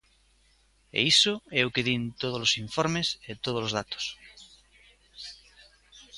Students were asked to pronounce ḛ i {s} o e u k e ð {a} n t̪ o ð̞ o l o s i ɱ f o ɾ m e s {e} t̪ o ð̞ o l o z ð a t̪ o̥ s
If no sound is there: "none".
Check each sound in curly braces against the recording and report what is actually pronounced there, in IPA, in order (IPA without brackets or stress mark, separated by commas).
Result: s, i, e